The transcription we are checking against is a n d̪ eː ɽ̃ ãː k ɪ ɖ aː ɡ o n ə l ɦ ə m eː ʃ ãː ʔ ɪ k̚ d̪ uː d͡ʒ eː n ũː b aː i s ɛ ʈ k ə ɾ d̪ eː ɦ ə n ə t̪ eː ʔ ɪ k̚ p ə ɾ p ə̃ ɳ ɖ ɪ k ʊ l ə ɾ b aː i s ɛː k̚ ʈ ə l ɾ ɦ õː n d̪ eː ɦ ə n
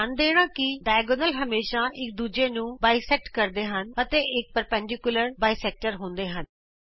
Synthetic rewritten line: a n d̪ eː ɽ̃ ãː k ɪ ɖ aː ɡ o n ə l ɦ ə m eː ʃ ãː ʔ ɪ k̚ d̪ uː d͡ʒ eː n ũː b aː i s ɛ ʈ k ə ɾ d̪ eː ɦ ə n ə t̪ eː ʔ ɪ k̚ p ə ɾ p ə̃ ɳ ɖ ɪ k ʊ l ə ɾ b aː i s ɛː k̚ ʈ ə ɾ ɦ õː n d̪ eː ɦ ə n